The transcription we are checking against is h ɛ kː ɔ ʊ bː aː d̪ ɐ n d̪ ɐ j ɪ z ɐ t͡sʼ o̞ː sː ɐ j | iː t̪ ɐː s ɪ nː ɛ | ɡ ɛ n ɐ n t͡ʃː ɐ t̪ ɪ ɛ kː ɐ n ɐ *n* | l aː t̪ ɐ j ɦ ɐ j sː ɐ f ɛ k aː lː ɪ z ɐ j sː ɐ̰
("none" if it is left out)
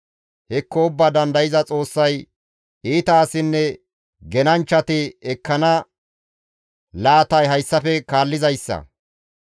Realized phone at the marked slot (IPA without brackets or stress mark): none